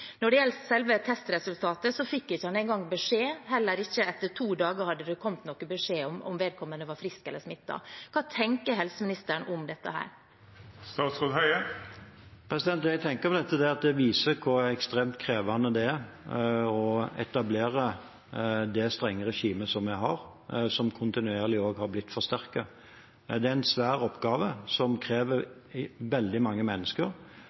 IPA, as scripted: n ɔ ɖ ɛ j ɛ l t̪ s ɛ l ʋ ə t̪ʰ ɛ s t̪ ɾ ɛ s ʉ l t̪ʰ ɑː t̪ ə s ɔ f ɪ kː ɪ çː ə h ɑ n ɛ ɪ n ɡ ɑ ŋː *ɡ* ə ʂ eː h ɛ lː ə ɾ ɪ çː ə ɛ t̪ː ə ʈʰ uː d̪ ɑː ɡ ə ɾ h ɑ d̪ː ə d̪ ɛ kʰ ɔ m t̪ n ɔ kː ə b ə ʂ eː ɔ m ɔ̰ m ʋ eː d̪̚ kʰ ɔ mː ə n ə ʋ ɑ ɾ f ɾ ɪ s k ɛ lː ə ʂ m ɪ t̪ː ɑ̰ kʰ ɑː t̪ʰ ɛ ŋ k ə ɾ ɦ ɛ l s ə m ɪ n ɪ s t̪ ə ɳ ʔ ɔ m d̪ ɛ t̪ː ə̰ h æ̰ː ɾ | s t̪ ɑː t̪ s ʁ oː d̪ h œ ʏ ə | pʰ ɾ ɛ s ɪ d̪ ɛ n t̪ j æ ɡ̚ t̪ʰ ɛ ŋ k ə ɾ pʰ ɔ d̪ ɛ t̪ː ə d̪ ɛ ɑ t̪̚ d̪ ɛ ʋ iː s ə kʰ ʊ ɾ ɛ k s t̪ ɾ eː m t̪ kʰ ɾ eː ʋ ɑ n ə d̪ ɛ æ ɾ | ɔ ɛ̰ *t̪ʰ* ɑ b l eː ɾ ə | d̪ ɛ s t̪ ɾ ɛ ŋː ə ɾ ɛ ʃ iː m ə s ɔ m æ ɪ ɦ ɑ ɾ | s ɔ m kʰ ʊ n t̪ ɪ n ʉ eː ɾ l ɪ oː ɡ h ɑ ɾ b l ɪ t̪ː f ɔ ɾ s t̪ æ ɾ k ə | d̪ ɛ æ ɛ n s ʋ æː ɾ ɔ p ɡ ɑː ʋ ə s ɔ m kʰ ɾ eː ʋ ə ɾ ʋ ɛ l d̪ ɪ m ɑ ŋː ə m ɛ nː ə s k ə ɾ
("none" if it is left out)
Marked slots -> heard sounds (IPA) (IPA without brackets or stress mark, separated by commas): b, t̪